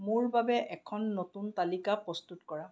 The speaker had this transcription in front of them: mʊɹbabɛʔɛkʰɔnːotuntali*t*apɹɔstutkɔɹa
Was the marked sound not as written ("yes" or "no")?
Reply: yes